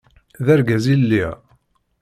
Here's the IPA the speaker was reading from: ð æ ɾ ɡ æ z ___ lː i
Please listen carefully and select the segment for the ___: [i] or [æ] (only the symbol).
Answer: i